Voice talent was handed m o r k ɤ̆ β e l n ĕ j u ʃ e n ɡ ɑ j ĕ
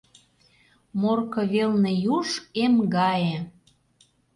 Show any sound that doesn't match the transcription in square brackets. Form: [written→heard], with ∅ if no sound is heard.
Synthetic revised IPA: m o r k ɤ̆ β e l n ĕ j u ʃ e [n→m] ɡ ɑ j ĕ